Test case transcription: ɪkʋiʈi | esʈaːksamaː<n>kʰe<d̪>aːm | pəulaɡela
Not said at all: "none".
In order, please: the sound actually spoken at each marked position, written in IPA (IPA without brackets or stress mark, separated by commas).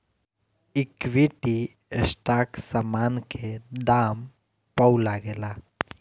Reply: n, d̪